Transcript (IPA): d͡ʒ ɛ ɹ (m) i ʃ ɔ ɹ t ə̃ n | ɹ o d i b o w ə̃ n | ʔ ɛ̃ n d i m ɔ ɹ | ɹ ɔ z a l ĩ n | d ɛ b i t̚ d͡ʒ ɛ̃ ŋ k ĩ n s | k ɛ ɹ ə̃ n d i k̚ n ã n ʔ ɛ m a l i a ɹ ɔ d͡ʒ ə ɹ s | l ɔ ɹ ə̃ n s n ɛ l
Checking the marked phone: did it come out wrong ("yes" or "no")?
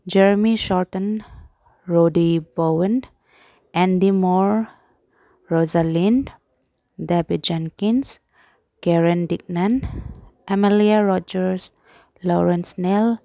no